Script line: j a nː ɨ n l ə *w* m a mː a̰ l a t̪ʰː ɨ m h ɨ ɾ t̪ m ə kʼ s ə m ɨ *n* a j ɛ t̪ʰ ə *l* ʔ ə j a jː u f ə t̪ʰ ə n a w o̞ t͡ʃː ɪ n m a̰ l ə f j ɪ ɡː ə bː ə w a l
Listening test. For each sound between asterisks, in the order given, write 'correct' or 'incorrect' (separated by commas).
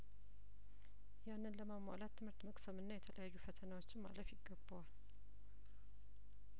incorrect, incorrect, correct